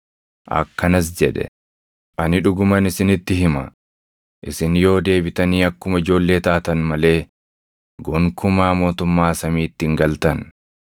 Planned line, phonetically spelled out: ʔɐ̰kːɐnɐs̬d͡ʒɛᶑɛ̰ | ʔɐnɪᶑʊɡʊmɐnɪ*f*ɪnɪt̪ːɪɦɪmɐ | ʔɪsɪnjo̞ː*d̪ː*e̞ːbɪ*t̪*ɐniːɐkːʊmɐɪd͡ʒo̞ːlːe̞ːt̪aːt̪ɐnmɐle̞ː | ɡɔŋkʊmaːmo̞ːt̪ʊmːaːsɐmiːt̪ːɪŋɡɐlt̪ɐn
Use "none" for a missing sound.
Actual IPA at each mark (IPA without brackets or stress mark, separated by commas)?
s, d̪, t̪